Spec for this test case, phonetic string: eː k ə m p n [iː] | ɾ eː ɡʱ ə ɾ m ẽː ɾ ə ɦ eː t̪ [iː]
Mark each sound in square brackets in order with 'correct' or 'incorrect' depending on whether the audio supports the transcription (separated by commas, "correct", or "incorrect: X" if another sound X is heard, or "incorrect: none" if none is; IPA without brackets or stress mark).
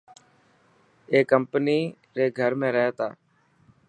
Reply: correct, incorrect: aː